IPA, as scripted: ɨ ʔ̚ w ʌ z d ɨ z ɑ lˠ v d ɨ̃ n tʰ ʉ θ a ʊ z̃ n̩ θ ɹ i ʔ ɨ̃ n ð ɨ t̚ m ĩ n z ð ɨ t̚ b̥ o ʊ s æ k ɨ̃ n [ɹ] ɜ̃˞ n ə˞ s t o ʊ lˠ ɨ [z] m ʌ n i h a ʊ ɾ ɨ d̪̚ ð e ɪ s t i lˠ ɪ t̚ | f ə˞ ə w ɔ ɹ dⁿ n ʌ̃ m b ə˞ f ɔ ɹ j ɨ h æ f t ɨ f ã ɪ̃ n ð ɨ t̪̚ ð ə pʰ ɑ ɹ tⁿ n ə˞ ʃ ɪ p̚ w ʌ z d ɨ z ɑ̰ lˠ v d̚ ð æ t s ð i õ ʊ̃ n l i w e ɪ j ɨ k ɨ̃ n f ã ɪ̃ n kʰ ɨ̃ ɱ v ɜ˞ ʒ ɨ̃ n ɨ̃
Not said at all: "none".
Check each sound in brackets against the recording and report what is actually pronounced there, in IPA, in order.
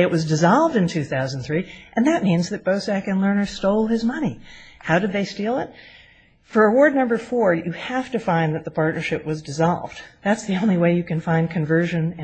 l, z

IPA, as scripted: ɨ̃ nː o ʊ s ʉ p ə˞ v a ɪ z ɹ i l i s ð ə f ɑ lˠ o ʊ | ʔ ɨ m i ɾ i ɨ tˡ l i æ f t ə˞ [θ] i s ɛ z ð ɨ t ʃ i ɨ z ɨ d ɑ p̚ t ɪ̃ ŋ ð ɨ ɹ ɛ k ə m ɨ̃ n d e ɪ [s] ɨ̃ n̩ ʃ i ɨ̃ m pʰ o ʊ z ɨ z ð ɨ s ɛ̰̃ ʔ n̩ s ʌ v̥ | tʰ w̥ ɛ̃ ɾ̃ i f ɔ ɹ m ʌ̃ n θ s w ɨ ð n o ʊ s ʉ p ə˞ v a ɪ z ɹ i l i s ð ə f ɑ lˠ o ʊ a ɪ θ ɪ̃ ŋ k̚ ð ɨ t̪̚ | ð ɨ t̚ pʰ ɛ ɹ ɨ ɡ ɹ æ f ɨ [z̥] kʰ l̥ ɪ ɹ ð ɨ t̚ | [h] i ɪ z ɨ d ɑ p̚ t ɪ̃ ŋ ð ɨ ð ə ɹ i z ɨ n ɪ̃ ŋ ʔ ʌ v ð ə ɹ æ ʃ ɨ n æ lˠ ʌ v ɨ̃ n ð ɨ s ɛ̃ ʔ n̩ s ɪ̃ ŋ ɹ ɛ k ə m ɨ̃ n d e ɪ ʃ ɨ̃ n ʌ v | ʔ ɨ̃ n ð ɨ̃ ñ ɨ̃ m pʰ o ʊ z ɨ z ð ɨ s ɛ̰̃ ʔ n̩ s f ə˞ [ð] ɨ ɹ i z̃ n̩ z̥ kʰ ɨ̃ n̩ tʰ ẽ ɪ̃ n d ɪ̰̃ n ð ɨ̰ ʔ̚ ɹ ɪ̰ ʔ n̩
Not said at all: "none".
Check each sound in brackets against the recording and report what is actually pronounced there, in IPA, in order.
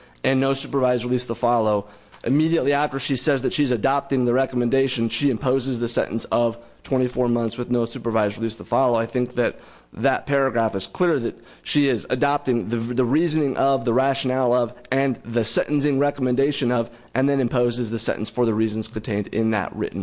ʃ, ʃ, z̥, ʃ, ð

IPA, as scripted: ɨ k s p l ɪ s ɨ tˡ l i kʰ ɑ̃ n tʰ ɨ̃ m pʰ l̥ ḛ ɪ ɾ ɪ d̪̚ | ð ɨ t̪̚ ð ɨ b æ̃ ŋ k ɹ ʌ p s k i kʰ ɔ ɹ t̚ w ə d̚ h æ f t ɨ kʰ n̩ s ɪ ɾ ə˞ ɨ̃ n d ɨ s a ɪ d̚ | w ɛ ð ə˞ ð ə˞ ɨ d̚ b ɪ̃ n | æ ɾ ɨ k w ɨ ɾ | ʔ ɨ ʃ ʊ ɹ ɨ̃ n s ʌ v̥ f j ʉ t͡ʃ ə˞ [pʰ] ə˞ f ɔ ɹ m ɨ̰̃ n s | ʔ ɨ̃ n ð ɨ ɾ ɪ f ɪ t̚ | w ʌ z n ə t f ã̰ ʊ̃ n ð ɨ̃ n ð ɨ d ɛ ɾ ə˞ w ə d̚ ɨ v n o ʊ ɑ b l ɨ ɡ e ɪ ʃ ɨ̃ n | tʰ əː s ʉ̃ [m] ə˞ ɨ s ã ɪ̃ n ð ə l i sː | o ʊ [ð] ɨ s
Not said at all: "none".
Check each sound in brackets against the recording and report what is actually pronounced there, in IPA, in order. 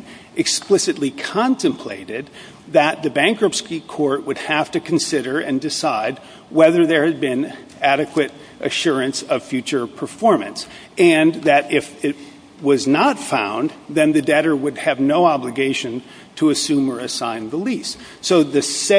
pʰ, m, ð

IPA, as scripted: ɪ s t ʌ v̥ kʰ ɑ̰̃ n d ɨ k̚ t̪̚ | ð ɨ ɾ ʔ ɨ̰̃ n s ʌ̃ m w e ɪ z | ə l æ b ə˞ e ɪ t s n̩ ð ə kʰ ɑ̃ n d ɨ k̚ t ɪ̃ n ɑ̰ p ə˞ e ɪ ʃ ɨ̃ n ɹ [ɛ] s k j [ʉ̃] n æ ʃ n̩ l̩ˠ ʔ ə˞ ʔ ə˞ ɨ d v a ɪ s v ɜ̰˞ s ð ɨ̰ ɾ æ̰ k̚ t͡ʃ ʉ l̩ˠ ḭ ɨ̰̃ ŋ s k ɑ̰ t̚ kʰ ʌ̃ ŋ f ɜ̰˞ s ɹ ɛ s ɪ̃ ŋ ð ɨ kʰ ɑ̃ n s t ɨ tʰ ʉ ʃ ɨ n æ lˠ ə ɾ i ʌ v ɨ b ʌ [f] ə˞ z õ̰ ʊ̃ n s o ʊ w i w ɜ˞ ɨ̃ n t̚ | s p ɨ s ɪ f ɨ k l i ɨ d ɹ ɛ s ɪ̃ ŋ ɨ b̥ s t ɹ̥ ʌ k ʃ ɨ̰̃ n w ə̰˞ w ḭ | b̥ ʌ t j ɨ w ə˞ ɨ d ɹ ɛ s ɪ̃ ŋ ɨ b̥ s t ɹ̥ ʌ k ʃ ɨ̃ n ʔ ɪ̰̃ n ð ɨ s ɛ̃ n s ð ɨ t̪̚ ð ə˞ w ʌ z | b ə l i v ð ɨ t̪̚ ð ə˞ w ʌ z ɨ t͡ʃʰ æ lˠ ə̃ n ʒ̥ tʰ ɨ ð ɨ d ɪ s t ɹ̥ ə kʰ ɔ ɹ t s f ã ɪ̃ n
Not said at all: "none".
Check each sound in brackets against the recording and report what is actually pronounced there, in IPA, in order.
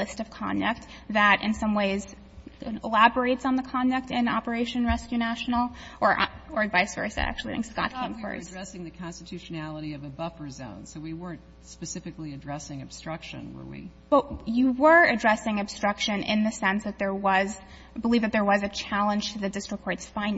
ɛ, ʉ, f

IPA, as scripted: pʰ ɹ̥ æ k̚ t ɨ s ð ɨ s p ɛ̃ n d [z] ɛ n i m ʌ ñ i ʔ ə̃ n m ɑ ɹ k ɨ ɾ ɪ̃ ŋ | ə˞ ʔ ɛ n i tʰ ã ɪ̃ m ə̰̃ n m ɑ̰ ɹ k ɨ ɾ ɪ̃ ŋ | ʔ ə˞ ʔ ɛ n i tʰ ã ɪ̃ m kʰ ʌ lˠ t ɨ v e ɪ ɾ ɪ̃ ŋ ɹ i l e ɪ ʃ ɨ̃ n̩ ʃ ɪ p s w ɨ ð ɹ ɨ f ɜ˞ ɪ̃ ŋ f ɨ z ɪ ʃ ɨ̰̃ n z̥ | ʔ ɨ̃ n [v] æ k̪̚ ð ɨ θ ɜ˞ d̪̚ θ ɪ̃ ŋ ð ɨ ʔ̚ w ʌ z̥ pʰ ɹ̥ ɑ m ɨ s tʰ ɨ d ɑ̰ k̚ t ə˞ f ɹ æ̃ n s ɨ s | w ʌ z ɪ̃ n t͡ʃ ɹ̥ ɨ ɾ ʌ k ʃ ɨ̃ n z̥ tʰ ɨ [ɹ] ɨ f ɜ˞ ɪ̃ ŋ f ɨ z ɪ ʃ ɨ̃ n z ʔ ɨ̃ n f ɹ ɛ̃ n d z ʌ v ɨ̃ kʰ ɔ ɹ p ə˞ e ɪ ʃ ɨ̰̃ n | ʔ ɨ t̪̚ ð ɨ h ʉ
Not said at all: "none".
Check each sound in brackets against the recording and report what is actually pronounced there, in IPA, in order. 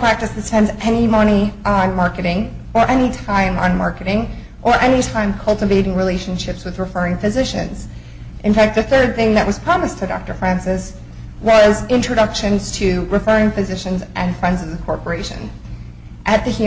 z, f, ɹ

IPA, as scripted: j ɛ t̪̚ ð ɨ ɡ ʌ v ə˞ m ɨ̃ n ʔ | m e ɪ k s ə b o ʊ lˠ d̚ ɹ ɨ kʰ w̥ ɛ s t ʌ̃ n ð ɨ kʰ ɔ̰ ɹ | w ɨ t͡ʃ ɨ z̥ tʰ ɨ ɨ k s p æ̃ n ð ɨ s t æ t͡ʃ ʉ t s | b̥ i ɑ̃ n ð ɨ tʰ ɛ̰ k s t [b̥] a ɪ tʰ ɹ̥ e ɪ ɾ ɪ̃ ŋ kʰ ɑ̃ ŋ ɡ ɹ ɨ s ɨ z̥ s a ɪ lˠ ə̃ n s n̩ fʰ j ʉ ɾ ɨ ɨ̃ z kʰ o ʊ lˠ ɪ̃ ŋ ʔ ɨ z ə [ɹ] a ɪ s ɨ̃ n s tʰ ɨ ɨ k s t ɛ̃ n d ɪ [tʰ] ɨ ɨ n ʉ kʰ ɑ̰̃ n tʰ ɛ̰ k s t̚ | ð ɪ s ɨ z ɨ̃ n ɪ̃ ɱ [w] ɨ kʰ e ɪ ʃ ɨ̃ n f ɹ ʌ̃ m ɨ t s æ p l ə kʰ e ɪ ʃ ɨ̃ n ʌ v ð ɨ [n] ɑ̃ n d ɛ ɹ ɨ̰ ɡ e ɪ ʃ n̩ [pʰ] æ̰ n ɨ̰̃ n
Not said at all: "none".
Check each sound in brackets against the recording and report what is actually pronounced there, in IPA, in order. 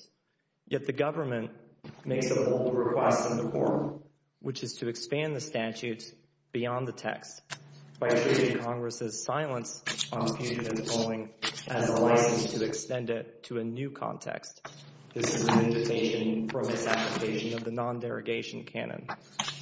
b̥, l, tʰ, v, n, kʰ

